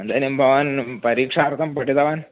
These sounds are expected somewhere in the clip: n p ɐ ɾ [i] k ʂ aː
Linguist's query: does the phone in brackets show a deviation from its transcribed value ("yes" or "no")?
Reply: yes